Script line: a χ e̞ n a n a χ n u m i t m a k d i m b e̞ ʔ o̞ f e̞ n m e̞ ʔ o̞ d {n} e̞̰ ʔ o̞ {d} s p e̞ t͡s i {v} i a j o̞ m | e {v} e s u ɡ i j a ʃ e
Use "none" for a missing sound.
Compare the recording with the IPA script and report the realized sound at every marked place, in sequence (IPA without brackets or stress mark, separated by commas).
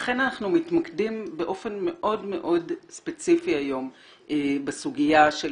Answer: m, d, f, b